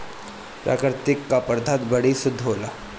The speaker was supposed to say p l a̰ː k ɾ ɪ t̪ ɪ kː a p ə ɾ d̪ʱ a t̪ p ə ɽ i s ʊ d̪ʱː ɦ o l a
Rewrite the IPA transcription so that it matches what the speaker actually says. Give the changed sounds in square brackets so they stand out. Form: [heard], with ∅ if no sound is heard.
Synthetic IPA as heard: p [ɾ] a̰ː k ɾ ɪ t̪ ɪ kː a p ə ɾ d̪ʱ a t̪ [b] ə ɽ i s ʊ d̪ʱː ɦ o l a